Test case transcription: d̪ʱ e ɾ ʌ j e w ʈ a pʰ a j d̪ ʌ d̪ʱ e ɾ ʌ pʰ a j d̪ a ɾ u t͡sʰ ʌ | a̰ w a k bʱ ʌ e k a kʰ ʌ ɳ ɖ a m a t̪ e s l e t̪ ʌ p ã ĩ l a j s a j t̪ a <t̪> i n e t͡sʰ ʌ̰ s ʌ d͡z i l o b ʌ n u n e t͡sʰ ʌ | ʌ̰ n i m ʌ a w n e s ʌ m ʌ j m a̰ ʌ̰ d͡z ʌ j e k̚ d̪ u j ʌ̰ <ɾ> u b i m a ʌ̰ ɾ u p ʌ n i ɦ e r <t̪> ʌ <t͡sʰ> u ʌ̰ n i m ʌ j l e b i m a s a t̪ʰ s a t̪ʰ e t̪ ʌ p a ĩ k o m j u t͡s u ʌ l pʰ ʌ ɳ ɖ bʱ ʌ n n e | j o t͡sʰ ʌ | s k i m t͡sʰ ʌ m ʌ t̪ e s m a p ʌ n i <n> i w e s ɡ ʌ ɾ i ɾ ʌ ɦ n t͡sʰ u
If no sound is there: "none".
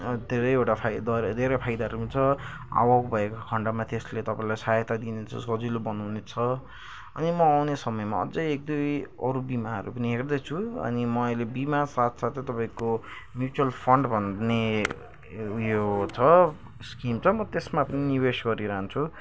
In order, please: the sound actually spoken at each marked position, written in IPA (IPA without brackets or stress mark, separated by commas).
d̪, ɾ, d̪, t͡sʰ, n